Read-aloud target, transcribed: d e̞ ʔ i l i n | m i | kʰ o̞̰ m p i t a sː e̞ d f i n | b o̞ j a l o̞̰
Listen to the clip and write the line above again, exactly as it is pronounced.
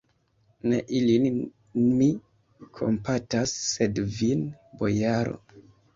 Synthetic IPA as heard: n e̞ ʔ i l i n | m i | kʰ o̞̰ m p a t a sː e̞ d v i n | b o̞ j a ɾ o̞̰

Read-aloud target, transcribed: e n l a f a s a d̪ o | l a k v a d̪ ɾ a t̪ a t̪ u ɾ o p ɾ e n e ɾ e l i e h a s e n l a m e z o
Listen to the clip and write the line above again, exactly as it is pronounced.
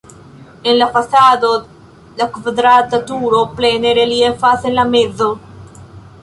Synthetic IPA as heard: e n l a f a s a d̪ o | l a k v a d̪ ɾ a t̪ a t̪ u ɾ o p l e n e ɾ e l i e f a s e n l a m e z o

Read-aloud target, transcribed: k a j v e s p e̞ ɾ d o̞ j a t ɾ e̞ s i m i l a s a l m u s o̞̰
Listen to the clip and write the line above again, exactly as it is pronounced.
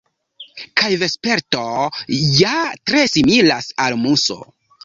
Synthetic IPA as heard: k a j v e s p e̞ ɾ t o̞ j a t ɾ e̞ s i m i l a s a l m u s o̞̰

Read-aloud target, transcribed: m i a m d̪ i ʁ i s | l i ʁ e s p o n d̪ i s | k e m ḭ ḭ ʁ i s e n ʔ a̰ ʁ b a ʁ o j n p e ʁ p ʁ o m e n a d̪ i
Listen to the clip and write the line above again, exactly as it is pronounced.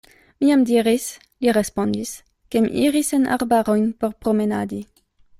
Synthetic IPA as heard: m i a m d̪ i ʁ i s | l i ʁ e s p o n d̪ i s | k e m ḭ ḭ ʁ i s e n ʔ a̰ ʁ b a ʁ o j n p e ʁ p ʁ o m e n a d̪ i

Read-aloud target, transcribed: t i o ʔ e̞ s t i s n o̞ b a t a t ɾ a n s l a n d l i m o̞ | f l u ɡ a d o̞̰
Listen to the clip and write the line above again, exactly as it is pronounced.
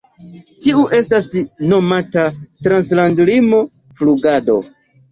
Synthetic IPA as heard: t i u ʔ e̞ s t a s n o̞ m a t a t ɾ a n s l a n d l i m o̞ | f l u ɡ a d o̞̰

